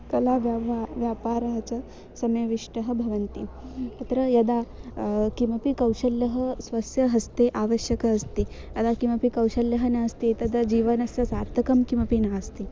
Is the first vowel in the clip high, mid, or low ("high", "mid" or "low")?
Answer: low